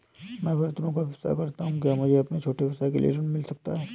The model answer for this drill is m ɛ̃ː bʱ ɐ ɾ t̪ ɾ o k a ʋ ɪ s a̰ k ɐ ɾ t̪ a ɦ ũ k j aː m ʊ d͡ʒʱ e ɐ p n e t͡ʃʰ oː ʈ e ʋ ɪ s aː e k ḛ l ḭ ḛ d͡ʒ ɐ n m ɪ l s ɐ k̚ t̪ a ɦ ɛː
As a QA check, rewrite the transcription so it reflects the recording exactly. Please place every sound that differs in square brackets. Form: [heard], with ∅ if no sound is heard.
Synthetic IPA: m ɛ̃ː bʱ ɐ ɾ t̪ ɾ [õ] k a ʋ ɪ s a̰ k ɐ ɾ t̪ a ɦ ũ k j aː m ʊ d͡ʒʱ e ɐ p n e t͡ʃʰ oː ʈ e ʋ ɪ s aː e k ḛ l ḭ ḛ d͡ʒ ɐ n m ɪ l s ɐ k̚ t̪ a ɦ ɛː